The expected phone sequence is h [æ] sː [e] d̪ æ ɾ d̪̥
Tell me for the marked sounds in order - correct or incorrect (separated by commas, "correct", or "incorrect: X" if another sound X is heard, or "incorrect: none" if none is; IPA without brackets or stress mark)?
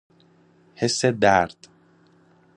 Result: incorrect: e, correct